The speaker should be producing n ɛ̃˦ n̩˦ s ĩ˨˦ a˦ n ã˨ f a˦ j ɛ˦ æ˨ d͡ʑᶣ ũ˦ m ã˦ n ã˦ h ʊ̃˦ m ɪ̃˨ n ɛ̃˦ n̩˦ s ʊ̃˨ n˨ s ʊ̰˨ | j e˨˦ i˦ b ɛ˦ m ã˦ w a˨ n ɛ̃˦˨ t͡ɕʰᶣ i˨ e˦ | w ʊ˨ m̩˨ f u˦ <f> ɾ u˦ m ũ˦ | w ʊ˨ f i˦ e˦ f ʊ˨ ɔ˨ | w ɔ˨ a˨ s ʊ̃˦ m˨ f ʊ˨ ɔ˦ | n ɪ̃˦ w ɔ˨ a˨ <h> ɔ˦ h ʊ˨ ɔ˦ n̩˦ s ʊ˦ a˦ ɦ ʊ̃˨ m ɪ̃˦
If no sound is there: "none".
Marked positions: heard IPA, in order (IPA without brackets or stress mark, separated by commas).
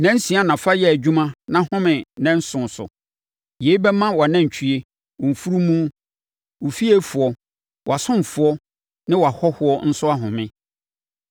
none, h